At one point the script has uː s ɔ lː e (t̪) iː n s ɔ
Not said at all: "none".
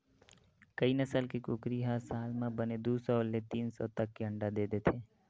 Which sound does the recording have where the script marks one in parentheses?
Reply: t̪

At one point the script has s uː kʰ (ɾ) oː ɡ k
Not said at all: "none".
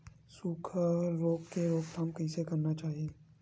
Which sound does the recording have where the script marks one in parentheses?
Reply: ɾ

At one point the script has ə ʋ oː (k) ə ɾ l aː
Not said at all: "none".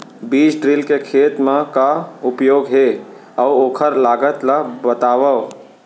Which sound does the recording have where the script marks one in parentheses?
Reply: kʰ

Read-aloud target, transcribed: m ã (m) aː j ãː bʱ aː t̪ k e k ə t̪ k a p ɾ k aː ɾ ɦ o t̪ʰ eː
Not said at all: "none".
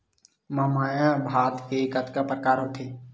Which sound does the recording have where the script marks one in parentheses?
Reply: m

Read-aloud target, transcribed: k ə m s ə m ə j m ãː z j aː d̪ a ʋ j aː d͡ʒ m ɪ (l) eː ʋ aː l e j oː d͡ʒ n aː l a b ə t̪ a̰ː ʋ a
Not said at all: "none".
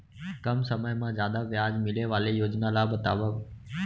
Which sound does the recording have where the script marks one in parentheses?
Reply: l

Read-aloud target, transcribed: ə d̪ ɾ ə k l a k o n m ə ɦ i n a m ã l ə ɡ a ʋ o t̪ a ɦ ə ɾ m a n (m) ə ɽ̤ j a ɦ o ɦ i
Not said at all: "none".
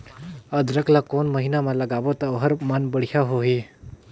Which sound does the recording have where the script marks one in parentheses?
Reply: b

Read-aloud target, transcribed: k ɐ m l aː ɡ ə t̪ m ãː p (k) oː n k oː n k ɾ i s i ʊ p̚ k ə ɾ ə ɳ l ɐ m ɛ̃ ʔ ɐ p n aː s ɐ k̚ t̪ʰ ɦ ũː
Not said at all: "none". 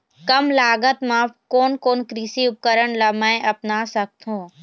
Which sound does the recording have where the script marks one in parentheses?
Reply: k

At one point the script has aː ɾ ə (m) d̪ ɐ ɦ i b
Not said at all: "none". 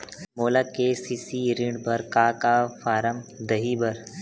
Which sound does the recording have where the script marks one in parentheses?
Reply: m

